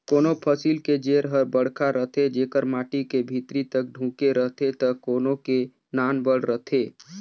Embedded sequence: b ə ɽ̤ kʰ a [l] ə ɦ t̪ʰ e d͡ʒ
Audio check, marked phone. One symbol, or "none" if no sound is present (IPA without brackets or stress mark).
ɾ